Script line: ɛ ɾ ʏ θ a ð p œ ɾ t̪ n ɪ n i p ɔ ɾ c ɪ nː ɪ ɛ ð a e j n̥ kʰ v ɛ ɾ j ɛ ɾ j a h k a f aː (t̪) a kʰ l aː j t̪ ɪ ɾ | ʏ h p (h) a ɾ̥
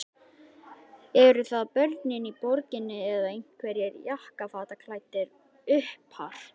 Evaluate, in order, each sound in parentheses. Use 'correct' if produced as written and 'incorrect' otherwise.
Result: correct, correct

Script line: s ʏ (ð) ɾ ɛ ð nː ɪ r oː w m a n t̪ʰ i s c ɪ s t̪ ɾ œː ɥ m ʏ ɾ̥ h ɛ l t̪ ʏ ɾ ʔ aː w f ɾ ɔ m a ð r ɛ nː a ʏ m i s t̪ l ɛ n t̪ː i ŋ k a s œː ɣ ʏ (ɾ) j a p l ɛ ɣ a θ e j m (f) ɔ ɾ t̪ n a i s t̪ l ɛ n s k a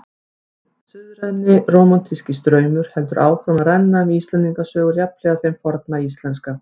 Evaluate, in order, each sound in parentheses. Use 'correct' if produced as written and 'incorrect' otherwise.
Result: correct, correct, correct

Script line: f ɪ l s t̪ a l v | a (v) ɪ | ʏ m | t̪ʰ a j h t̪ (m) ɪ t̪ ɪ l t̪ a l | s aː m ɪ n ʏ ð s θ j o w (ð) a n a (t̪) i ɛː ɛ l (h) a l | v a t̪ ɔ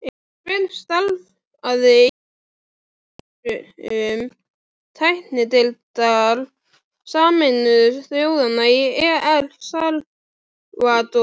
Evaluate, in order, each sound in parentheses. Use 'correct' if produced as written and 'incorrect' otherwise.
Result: incorrect: ð, incorrect: n, correct, incorrect: none, incorrect: s

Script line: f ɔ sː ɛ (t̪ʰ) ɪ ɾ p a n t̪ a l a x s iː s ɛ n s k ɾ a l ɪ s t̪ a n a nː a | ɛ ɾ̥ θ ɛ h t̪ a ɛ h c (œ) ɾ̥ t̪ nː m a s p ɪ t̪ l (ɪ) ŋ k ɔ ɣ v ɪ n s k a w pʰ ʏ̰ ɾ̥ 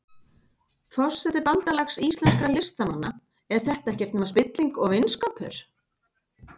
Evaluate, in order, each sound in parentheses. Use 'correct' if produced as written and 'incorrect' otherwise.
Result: incorrect: t̪, incorrect: ɛ, incorrect: i

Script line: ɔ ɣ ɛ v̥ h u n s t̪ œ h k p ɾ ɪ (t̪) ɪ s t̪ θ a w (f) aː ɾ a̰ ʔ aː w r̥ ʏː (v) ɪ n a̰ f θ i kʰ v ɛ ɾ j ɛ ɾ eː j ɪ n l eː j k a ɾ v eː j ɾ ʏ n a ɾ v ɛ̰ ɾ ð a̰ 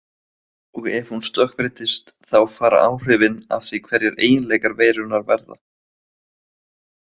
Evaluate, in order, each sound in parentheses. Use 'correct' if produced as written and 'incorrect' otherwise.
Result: correct, correct, correct

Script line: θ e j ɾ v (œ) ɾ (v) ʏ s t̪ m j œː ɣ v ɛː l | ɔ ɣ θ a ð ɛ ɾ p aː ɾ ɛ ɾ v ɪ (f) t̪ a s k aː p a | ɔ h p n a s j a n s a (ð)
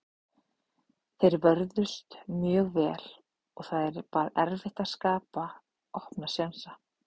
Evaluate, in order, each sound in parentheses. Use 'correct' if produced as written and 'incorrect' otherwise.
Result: correct, incorrect: ð, incorrect: h, incorrect: none

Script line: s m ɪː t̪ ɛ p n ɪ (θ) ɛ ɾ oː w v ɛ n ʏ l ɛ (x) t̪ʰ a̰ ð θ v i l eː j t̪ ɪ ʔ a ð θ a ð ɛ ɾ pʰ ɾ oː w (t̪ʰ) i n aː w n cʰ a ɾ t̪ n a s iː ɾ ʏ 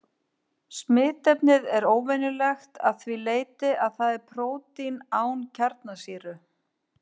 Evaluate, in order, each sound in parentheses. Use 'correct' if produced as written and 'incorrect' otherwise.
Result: incorrect: ð, correct, incorrect: t̪

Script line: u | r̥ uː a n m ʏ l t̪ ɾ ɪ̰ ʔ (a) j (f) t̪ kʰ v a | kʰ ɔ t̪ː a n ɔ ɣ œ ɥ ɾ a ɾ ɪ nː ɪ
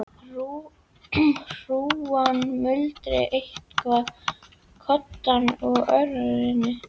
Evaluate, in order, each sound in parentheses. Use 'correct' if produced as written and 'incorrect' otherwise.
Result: incorrect: e, incorrect: h

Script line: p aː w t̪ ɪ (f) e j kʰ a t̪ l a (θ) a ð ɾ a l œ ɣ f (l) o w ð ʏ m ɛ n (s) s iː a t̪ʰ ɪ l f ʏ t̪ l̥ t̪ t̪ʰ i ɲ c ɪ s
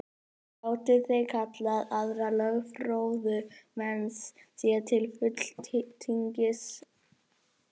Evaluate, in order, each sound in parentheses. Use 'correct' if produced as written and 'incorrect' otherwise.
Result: incorrect: θ, incorrect: ð, incorrect: ɾ, correct

